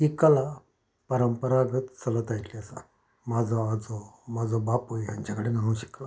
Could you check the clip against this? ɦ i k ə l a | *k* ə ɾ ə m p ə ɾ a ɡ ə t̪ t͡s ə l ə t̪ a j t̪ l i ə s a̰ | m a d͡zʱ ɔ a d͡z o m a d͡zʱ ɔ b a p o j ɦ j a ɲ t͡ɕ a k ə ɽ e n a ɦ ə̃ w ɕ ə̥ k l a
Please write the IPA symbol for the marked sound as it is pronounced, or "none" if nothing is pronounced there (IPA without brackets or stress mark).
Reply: p